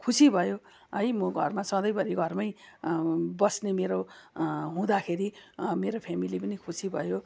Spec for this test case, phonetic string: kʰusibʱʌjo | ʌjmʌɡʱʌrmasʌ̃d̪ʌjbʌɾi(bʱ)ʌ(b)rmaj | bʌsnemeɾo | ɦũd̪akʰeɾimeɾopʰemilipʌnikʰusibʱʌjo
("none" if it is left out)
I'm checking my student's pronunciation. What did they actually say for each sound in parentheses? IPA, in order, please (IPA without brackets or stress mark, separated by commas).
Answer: ɡʱ, none